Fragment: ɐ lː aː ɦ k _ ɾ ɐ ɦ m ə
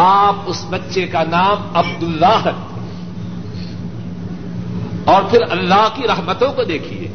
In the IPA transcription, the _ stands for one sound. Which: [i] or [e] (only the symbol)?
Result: i